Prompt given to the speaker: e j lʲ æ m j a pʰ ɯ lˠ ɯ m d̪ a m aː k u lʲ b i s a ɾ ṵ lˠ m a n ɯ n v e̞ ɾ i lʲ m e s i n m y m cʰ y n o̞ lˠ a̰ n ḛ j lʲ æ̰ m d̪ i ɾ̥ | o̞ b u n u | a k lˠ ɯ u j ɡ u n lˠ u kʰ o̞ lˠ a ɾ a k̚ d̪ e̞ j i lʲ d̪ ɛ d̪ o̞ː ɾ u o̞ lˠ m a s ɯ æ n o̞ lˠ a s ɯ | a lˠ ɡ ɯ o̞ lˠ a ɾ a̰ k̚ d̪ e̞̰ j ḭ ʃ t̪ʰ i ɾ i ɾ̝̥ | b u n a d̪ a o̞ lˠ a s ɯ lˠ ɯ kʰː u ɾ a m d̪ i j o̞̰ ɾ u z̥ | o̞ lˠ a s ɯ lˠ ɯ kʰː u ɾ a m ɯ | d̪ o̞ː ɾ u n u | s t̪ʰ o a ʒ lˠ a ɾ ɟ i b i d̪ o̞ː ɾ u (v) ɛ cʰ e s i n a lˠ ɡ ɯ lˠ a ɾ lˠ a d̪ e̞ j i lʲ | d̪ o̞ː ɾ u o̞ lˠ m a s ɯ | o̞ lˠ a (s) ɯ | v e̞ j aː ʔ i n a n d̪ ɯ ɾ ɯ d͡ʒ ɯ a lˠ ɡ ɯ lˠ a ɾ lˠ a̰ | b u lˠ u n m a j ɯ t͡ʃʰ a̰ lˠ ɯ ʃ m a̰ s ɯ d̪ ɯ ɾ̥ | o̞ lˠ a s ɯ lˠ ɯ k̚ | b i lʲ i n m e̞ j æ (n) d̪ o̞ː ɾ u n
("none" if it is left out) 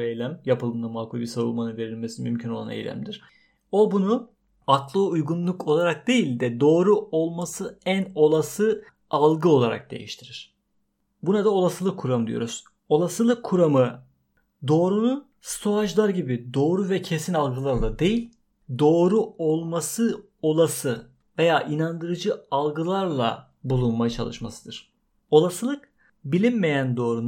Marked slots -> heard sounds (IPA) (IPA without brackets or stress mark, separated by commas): v, s, n